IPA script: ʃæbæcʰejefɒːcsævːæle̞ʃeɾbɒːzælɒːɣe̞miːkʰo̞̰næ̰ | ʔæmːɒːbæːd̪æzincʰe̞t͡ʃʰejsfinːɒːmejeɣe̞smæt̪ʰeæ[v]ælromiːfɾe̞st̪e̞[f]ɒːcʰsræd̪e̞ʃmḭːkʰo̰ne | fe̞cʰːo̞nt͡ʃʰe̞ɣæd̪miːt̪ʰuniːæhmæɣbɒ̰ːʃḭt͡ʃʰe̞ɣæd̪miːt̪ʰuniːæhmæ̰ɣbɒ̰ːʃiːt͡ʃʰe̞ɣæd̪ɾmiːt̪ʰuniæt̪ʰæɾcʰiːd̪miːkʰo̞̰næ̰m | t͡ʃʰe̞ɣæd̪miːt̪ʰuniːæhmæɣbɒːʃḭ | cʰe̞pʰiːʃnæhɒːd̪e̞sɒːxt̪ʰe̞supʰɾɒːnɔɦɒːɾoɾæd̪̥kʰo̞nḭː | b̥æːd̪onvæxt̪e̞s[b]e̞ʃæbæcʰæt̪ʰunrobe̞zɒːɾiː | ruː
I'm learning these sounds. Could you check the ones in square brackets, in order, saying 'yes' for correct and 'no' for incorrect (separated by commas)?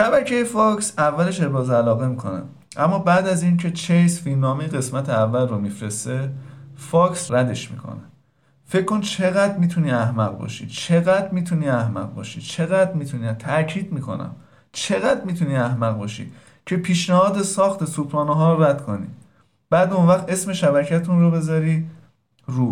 no, yes, no